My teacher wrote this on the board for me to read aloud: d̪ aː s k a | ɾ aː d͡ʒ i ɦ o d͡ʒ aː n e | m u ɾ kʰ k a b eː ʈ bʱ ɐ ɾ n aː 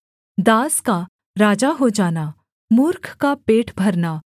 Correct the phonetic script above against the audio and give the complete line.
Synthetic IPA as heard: d̪ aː s k a | ɾ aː d͡ʒ a ɦ o d͡ʒ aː n a | m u ɾ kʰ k a p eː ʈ bʱ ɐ ɾ n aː